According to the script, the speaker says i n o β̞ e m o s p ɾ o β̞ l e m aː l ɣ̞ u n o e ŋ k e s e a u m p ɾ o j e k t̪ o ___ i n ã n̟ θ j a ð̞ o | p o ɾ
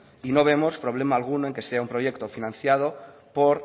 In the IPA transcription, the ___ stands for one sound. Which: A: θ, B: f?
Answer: B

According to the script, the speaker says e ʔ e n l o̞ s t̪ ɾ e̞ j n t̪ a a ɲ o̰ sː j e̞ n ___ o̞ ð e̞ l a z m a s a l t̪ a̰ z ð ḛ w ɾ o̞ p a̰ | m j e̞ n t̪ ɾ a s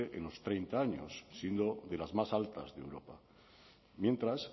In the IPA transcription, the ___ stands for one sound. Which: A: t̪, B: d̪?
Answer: B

